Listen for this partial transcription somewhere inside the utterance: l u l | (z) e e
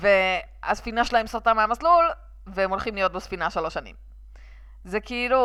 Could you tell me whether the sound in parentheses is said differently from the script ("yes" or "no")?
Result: yes